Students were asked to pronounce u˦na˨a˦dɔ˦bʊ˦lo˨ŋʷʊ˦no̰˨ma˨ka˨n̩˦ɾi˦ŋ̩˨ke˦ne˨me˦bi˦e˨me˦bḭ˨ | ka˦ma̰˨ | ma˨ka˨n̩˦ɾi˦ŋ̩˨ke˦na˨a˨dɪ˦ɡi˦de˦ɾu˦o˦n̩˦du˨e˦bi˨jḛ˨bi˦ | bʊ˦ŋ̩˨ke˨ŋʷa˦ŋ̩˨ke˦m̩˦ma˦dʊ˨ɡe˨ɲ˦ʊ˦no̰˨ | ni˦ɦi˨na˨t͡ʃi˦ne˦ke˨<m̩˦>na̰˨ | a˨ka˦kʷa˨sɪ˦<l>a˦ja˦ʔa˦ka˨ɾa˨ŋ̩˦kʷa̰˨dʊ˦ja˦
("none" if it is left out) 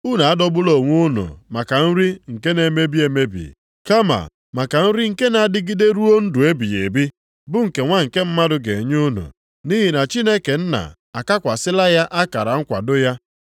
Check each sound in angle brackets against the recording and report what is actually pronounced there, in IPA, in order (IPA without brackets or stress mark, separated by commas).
n̩˦, l